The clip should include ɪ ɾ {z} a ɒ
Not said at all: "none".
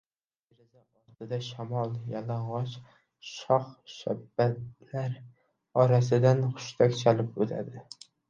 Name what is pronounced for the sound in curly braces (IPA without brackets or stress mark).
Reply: z